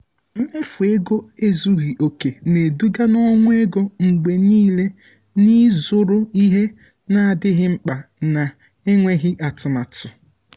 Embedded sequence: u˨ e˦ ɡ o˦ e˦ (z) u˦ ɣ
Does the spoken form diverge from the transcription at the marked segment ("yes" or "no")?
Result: no